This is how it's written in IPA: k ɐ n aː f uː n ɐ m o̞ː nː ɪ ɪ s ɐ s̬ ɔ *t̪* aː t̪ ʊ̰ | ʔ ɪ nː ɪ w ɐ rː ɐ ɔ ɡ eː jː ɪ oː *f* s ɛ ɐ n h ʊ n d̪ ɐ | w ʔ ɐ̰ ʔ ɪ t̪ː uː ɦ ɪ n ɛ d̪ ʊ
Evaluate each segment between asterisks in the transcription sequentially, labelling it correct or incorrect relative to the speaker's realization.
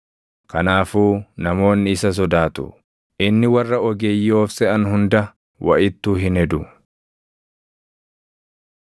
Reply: incorrect: d̪, correct

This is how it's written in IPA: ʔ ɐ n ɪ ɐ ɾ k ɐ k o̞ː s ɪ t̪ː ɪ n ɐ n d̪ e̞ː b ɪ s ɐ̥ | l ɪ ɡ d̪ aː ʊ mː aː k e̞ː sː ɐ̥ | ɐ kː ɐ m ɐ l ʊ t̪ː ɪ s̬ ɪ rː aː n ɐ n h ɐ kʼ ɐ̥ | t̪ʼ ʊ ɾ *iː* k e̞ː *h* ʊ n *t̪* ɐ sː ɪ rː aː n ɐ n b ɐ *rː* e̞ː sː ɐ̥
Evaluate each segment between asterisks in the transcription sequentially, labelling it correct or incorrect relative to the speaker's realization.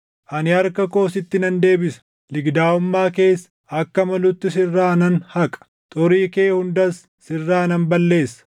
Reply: correct, correct, incorrect: d̪, incorrect: lː

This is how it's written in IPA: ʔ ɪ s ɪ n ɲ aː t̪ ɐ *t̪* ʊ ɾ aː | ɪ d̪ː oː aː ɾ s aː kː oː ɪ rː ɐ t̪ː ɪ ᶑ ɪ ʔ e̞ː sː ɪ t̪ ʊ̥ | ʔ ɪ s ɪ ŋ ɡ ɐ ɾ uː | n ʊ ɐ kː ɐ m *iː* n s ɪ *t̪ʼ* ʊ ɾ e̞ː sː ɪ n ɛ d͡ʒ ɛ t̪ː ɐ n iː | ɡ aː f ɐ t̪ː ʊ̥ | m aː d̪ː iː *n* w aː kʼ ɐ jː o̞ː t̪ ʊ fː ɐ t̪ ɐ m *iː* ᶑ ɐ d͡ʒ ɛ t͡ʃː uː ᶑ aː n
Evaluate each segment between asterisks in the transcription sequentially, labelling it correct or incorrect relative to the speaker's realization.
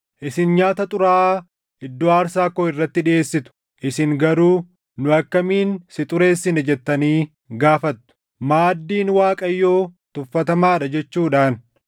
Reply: incorrect: t̪ʼ, correct, correct, correct, incorrect: aː

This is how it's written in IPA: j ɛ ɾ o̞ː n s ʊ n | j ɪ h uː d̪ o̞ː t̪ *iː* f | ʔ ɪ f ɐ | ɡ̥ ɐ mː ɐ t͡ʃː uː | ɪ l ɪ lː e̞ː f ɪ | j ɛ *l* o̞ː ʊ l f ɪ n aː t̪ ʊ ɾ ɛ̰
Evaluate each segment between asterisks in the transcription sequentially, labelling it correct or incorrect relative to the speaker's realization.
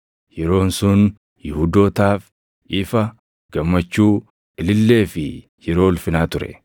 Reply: incorrect: aː, incorrect: ɾ

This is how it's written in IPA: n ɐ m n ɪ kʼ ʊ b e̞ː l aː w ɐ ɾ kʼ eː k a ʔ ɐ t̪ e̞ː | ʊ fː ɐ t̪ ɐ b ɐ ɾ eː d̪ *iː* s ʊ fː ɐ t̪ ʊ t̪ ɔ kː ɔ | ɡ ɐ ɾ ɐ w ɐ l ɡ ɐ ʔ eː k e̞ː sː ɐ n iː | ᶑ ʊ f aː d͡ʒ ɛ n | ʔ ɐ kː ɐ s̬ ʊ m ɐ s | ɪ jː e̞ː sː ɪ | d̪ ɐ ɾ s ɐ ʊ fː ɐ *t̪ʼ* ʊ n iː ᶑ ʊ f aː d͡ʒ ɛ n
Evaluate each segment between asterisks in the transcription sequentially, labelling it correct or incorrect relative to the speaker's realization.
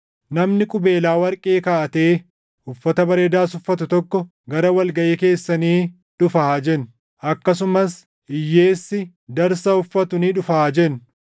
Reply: incorrect: aː, incorrect: t̪

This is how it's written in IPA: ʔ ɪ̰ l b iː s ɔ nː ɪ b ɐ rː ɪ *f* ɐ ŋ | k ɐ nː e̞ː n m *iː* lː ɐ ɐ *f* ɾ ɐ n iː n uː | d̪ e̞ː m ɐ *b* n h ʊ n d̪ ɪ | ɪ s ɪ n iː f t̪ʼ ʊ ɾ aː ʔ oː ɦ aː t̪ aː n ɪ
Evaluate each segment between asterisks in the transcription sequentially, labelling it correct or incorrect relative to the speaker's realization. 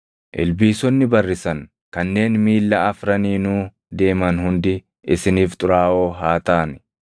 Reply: incorrect: s, correct, correct, incorrect: none

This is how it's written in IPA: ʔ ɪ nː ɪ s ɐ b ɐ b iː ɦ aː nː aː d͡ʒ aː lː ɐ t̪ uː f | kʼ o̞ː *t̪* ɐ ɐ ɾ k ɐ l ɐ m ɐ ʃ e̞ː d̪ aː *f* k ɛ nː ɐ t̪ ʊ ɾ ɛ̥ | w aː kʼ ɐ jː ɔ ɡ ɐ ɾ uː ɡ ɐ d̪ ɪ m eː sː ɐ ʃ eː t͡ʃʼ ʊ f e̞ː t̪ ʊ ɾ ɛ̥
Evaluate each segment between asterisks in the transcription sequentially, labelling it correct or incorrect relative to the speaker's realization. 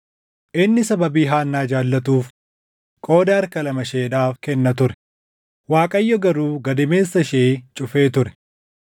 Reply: incorrect: d̪, correct

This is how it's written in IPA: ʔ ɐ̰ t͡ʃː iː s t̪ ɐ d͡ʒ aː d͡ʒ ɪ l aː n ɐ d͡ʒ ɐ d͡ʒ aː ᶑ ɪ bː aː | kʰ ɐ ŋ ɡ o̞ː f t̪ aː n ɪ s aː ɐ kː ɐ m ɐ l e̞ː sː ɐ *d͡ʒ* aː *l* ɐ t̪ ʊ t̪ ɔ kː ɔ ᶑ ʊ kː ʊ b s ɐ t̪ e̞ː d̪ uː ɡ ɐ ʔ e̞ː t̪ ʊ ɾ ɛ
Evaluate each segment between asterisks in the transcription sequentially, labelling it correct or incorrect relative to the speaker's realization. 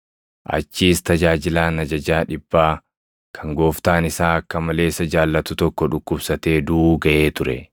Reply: correct, incorrect: lː

